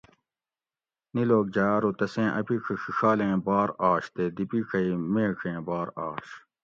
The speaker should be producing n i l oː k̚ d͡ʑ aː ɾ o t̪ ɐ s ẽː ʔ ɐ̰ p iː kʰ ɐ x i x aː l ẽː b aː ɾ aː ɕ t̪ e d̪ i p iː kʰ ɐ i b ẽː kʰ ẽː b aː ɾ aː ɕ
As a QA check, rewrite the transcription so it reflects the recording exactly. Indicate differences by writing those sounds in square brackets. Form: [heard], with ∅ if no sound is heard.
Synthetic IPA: n i l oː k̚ d͡ʑ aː ɾ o t̪ ɐ s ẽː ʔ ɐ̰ p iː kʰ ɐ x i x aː l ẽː b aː ɾ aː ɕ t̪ e d̪ i p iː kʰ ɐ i [m] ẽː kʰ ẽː b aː ɾ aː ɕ